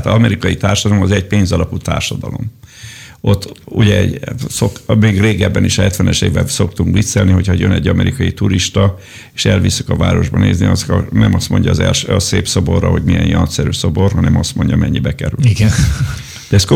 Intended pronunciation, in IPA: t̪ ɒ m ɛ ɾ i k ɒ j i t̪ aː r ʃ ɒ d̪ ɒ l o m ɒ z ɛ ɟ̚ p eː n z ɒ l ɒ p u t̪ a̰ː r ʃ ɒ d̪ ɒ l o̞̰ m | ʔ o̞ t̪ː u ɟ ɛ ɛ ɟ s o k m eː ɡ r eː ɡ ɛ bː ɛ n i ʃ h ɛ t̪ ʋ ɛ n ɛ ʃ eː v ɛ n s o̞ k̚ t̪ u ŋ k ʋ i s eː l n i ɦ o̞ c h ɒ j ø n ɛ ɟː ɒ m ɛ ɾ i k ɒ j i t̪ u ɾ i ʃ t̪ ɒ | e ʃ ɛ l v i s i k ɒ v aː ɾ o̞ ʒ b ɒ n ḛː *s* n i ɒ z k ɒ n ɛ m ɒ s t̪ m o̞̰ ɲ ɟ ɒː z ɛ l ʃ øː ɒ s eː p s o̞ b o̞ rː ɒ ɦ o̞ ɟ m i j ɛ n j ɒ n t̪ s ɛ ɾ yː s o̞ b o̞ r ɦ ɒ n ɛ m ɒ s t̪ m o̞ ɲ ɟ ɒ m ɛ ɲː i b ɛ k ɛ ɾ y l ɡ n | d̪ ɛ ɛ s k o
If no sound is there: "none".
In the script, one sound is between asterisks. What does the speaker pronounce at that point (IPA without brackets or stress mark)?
z